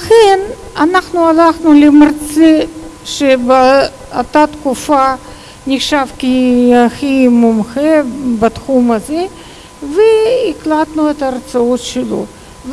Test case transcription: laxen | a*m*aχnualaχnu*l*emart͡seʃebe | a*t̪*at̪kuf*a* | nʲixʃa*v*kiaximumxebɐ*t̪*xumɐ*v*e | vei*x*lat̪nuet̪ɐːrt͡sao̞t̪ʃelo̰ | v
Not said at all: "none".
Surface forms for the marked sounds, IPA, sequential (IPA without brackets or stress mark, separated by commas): n, l, t̪, a, v, t̪, z, k